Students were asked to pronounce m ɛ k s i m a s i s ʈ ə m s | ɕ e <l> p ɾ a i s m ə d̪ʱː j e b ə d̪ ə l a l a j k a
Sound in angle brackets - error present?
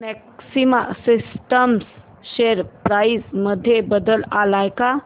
yes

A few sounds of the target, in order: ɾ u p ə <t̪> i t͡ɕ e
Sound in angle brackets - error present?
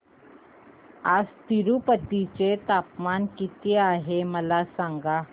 no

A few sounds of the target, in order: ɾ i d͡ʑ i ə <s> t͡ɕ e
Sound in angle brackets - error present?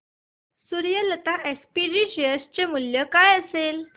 no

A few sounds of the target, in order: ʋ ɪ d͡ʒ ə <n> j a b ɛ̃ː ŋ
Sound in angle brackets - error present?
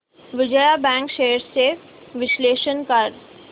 yes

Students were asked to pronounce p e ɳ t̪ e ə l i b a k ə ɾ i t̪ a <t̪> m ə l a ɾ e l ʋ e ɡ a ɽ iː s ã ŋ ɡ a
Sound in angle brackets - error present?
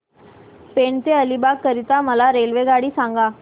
yes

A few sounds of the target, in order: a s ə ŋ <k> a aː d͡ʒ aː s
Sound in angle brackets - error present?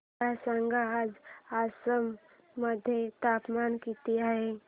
yes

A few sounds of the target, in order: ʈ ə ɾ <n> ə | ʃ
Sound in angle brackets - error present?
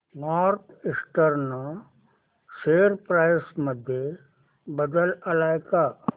no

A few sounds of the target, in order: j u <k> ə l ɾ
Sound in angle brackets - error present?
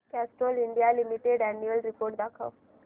yes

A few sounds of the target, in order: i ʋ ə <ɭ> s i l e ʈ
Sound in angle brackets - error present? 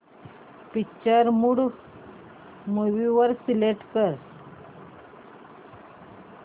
yes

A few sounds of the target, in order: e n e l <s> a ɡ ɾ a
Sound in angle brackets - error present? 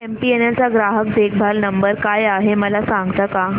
yes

